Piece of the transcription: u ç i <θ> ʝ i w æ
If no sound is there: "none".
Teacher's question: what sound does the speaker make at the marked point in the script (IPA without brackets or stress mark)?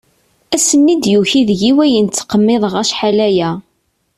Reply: ð